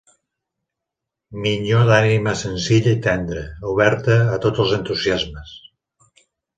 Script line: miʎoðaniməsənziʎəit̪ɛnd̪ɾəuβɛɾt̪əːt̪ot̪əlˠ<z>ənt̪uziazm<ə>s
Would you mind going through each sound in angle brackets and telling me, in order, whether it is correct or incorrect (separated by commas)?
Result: correct, correct